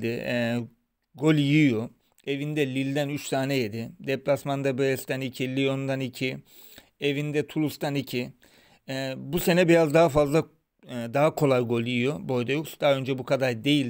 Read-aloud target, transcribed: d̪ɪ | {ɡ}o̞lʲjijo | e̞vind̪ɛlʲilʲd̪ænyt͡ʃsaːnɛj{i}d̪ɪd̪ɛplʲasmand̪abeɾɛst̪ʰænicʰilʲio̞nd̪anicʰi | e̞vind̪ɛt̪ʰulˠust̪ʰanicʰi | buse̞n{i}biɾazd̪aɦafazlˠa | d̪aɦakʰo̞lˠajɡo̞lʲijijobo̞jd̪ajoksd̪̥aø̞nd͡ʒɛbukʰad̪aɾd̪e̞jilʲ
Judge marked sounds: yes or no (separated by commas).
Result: yes, no, no